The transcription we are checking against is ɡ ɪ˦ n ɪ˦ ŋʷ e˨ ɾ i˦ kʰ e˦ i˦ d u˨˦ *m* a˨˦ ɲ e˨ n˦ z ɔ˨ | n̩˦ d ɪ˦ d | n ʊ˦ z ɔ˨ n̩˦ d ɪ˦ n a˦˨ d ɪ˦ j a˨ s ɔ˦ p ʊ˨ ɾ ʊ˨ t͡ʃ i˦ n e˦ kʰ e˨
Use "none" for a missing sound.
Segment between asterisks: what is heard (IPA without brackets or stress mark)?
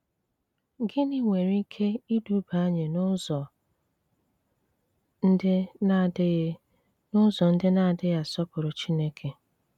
b